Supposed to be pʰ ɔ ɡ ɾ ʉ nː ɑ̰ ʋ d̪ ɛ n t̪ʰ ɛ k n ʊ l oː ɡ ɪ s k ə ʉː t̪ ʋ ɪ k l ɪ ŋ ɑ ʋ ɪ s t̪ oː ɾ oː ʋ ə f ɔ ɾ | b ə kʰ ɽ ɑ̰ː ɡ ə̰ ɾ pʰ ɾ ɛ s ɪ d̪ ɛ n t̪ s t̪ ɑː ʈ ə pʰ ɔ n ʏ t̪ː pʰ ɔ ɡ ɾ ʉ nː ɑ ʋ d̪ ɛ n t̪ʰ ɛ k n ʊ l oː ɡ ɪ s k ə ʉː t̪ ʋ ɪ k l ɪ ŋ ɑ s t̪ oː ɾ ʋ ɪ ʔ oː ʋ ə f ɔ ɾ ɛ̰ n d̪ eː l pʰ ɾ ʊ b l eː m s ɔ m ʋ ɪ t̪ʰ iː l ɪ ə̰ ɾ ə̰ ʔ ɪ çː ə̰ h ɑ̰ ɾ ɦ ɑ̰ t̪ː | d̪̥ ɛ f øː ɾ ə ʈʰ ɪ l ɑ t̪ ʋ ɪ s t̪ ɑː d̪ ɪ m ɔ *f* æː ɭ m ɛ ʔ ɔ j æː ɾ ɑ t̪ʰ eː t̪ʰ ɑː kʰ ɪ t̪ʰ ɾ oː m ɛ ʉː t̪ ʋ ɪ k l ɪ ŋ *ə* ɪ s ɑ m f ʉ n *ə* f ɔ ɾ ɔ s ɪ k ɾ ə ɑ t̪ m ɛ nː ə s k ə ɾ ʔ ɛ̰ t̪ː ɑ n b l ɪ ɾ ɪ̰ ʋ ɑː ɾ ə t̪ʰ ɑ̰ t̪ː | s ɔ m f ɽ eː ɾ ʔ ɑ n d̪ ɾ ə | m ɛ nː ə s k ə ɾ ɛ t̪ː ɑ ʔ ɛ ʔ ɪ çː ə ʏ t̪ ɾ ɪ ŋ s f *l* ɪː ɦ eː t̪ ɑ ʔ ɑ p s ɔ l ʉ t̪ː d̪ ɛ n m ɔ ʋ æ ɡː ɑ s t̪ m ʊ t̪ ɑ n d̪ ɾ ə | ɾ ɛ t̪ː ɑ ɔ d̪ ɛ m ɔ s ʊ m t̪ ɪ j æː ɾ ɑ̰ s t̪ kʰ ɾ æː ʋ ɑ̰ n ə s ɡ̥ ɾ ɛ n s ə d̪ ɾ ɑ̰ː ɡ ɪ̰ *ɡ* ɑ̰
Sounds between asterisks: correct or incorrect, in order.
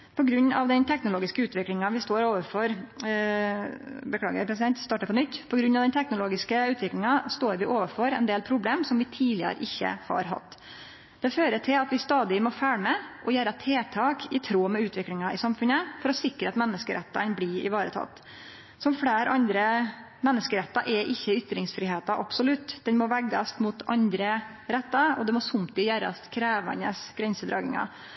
correct, incorrect: ɑ, correct, incorrect: ɾ, incorrect: ŋ

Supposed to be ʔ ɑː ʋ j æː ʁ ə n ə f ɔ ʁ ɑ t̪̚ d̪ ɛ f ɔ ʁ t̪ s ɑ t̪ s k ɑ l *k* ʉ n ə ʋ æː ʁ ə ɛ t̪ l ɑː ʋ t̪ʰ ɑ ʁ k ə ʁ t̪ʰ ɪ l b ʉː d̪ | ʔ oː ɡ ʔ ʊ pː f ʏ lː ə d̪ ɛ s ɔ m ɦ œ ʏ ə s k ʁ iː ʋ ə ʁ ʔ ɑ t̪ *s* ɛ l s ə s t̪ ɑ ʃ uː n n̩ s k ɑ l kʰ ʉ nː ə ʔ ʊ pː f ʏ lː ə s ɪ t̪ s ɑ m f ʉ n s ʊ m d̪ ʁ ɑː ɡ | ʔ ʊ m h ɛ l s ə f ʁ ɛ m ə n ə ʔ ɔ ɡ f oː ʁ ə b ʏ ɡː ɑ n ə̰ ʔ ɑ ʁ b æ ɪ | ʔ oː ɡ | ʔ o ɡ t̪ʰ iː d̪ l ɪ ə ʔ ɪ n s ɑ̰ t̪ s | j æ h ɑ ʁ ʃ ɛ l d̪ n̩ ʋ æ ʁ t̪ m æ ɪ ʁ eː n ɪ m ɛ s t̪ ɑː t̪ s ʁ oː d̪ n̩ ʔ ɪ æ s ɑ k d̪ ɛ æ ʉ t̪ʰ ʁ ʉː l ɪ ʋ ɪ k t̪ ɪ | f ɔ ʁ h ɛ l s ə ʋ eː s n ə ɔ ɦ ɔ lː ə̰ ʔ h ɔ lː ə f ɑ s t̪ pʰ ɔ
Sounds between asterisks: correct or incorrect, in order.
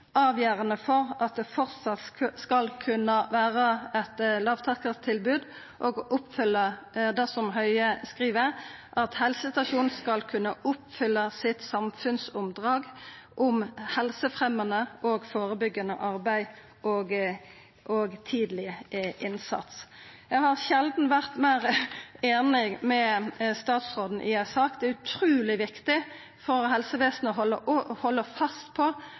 incorrect: kʰ, incorrect: h

